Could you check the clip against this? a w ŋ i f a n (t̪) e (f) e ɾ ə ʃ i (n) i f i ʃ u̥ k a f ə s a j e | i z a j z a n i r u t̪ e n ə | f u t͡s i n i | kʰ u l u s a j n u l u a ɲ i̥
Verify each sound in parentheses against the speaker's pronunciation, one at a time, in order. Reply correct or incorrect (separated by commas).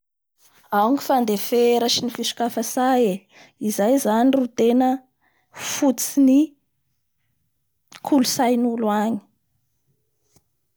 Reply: incorrect, correct, correct